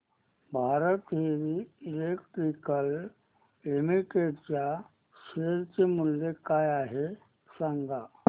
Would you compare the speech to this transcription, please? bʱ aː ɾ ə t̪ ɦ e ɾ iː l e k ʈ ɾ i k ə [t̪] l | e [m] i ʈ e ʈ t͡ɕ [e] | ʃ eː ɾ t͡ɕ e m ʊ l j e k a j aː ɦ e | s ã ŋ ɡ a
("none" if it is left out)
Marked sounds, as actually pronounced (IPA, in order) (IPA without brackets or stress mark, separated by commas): none, m, a